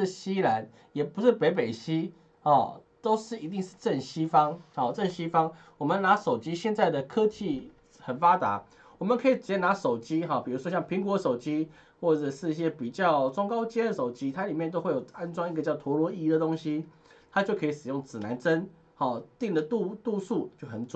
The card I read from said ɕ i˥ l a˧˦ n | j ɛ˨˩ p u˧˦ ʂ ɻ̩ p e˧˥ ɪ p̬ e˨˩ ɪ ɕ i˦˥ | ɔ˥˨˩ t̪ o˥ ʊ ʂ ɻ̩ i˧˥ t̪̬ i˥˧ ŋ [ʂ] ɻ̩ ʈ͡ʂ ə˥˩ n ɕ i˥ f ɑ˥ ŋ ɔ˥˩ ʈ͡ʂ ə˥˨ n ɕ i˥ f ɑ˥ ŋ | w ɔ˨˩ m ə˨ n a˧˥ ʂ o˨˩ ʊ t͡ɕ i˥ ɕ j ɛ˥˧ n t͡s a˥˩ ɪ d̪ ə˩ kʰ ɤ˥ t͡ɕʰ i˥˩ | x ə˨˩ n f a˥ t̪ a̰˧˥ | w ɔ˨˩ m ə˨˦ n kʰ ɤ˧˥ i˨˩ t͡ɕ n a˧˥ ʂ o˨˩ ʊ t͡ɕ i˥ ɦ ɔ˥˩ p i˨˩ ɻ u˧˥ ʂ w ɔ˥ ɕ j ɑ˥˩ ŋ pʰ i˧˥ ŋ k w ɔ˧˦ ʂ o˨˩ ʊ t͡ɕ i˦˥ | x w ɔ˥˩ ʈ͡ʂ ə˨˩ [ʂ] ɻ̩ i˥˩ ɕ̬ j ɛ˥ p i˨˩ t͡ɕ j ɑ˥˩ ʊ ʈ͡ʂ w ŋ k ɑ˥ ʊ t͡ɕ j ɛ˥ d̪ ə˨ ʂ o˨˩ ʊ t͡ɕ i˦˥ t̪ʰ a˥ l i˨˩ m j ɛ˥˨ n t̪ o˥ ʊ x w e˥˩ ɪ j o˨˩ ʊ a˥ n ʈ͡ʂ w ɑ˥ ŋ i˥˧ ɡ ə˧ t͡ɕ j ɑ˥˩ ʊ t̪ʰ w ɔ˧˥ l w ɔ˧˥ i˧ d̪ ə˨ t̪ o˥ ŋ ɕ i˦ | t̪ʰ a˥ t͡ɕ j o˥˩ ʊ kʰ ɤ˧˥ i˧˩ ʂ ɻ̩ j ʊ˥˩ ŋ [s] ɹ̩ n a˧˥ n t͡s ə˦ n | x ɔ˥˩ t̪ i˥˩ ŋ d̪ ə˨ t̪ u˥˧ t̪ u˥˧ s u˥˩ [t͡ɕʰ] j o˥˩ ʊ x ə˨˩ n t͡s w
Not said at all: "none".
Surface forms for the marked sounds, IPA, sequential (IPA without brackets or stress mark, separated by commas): ʂ, ʂ, t͡s, t͡ɕ